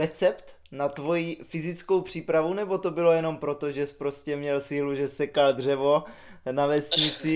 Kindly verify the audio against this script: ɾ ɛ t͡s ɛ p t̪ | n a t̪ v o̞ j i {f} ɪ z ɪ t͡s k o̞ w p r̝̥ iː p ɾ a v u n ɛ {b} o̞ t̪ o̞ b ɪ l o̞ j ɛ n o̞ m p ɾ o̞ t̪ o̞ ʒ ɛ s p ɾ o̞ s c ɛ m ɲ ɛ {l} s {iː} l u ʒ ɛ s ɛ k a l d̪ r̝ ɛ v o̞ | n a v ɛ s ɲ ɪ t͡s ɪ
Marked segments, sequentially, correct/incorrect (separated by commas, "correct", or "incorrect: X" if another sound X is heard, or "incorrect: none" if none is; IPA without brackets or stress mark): correct, correct, correct, correct